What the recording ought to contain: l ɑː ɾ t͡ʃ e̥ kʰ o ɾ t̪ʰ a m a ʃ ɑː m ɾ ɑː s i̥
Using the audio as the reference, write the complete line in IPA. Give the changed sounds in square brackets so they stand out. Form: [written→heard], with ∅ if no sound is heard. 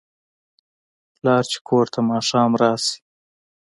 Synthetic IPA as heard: l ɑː ɾ t͡ʃ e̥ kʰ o ɾ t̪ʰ a m [a→ɑ] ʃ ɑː m ɾ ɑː s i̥